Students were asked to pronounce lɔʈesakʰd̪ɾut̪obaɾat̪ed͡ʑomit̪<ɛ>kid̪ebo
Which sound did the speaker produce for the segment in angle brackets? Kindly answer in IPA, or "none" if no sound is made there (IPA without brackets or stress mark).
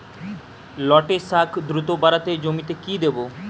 e